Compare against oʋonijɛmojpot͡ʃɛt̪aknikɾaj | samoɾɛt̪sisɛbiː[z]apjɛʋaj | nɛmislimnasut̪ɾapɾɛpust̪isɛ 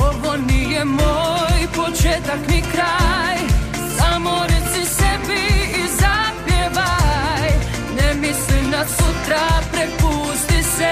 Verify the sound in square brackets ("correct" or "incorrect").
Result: correct